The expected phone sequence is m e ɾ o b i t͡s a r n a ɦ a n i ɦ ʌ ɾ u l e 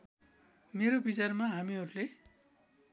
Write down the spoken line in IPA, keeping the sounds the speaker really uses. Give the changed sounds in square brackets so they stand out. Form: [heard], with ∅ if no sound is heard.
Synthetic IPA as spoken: m e ɾ o b i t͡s a r [m] a ɦ a [m] i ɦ ʌ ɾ u l e